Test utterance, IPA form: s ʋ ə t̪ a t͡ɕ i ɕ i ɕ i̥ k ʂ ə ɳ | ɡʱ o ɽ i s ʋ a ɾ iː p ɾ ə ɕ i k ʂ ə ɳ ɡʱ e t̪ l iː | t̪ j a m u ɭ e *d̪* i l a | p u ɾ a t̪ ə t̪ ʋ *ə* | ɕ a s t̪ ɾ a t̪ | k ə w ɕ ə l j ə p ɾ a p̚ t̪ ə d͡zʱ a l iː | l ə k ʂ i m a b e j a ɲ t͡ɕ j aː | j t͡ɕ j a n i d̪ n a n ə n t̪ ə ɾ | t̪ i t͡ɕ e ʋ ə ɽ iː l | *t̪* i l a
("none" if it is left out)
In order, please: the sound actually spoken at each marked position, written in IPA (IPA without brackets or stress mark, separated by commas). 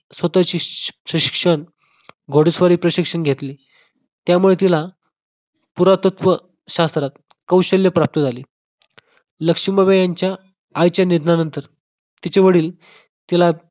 t̪, ə, t̪